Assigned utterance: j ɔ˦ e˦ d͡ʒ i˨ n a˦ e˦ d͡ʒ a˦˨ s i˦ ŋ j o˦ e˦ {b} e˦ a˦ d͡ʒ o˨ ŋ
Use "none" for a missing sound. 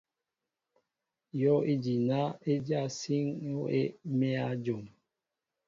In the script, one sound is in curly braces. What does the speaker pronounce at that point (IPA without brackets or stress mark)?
m